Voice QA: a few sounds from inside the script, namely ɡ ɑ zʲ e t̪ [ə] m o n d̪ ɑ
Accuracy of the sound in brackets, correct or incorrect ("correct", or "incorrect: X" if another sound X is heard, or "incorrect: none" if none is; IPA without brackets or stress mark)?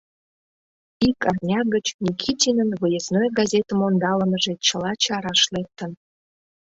correct